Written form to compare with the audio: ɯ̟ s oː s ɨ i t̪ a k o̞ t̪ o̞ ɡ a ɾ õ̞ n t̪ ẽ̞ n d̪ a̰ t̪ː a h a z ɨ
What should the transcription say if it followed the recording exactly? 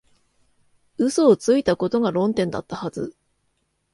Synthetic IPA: ɯ̟ s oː t͡s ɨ i t̪ a k o̞ t̪ o̞ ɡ a ɾ õ̞ n t̪ ẽ̞ n d̪ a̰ t̪ː a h a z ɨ